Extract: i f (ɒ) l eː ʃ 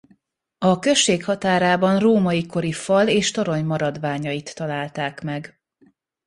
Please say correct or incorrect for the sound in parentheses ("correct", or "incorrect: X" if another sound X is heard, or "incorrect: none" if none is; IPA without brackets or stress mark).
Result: correct